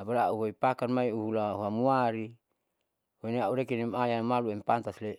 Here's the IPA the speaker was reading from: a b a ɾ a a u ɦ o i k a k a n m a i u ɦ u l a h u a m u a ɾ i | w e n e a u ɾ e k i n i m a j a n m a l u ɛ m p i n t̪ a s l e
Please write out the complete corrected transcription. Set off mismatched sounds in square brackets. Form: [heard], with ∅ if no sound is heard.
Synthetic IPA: a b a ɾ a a u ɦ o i [p] a k a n m a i u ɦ u l a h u a m u a ɾ i | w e n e a u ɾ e k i n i m a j a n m a l u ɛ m p [a] n t̪ a s l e